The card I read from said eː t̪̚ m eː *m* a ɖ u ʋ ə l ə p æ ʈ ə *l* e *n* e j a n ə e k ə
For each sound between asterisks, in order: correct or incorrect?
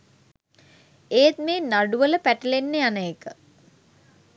incorrect: n, correct, incorrect: nː

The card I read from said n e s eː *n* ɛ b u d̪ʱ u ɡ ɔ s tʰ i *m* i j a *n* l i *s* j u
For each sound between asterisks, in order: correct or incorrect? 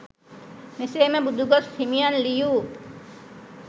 incorrect: m, correct, correct, incorrect: none

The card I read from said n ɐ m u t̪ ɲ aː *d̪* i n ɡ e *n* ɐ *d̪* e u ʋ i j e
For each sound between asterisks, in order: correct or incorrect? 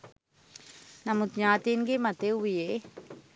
incorrect: t̪, incorrect: m, incorrect: t̪

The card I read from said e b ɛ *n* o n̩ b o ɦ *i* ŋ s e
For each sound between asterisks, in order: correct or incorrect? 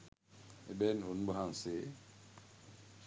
correct, incorrect: a

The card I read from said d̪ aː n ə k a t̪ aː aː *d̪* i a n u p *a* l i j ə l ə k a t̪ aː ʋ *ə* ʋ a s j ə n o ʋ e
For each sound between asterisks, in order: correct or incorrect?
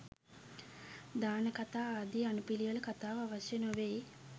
correct, incorrect: i, incorrect: a

